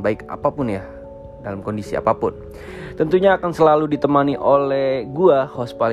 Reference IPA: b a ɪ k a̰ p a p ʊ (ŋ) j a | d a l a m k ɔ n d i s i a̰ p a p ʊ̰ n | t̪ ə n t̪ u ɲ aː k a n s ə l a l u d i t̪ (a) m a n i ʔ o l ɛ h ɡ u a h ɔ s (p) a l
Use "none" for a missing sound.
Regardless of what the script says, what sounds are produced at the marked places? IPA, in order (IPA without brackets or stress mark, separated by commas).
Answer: n, ə, p